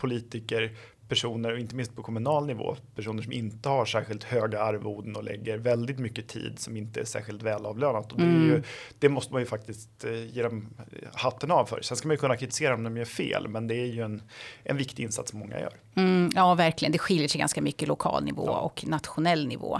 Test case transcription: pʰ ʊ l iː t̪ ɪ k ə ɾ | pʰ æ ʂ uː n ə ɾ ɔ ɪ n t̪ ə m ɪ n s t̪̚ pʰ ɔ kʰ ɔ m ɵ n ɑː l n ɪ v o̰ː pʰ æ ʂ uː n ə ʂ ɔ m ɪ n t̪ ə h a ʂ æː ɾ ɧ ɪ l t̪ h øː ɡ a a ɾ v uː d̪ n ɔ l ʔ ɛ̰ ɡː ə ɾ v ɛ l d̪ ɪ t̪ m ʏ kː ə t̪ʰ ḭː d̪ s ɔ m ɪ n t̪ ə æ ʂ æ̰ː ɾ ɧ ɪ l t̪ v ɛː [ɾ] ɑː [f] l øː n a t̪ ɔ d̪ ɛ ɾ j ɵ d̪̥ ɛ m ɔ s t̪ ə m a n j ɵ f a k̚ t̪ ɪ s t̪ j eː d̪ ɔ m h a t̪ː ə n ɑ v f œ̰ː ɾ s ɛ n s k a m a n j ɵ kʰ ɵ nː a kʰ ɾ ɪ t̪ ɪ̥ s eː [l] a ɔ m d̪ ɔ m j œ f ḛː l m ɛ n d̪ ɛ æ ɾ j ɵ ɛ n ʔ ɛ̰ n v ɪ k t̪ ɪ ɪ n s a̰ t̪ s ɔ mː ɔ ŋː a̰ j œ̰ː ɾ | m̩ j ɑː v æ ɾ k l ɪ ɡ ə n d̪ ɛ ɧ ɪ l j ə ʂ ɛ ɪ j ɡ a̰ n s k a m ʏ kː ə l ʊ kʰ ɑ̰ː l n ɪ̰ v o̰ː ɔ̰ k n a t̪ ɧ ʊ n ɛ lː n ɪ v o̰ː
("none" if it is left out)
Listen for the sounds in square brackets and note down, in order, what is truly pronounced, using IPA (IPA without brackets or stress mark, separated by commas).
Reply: l, v, ɾ